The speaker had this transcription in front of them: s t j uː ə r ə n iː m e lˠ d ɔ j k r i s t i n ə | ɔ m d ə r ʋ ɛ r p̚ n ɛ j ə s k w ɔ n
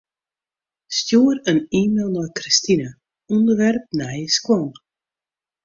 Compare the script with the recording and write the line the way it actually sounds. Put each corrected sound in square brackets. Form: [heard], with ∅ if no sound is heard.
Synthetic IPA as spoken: s t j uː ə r ə n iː m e lˠ [n] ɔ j k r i s t i n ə | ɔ [n] d ə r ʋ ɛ r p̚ n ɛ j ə s k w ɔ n